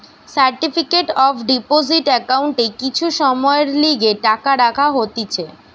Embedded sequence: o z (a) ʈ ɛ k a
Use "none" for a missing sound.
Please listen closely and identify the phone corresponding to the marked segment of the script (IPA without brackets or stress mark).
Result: i